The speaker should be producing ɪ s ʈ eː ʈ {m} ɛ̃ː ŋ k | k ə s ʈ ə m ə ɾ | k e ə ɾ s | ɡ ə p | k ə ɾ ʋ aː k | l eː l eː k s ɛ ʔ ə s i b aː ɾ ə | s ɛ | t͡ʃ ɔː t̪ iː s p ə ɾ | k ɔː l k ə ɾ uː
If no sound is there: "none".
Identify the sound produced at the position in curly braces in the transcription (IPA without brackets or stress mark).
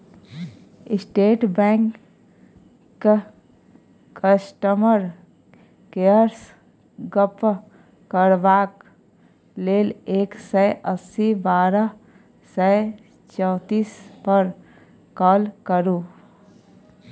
b